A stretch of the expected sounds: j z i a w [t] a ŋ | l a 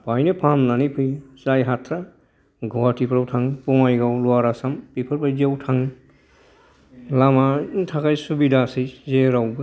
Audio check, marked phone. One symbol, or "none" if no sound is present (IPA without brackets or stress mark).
tʰ